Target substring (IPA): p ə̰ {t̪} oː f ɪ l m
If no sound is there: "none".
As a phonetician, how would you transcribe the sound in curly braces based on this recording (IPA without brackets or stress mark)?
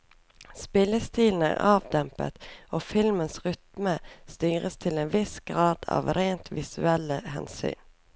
t̪